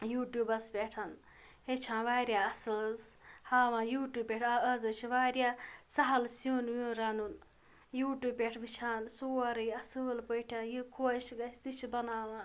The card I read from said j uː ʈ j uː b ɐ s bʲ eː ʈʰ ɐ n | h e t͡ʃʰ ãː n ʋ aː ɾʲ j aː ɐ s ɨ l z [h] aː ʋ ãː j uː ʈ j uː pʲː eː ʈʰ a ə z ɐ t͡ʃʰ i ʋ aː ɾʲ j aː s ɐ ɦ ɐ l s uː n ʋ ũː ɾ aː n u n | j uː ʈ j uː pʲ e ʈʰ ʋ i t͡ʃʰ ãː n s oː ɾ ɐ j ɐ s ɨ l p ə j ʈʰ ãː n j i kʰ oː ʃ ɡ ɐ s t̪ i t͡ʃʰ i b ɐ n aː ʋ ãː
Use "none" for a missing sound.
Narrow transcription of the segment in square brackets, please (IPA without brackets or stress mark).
h